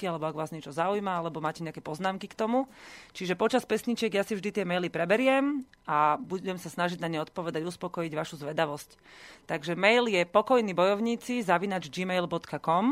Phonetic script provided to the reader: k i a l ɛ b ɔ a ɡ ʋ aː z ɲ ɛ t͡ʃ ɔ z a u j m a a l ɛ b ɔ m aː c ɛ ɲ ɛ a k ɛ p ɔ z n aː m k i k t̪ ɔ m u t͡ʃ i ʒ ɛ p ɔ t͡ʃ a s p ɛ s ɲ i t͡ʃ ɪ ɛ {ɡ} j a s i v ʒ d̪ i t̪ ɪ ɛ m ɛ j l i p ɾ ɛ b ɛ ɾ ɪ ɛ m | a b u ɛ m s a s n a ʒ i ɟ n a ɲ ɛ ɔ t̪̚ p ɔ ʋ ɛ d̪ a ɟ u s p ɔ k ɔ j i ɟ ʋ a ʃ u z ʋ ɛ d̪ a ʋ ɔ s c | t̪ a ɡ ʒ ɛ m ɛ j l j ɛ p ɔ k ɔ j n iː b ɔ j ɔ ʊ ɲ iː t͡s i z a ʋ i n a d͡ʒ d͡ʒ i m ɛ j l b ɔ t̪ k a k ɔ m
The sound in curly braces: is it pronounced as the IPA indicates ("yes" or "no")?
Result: yes